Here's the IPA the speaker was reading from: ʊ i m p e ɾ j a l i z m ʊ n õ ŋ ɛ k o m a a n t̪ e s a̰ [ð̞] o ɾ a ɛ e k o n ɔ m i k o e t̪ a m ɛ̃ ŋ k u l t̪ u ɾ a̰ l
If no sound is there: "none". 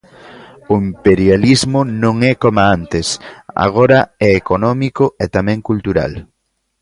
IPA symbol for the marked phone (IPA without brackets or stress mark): ɣ̞